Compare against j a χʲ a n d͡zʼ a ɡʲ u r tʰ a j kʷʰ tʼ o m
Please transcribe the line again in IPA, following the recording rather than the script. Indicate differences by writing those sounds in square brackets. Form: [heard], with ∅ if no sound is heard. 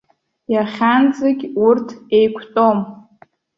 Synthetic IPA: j a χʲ a n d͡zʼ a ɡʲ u r tʰ [e] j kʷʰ tʼ o m